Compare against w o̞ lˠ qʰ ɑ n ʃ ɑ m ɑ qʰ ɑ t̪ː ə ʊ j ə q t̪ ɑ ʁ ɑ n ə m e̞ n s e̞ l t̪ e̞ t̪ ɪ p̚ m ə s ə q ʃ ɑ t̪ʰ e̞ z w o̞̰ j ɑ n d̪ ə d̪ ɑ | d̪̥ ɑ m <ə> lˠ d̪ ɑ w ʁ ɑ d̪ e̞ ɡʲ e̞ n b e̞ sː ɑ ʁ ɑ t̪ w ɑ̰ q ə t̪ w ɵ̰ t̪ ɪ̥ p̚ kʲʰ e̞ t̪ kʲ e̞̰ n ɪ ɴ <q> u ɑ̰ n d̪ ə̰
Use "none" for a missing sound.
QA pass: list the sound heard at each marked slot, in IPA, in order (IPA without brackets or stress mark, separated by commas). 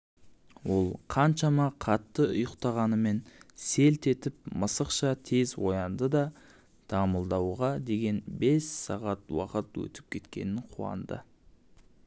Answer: ə, qʰ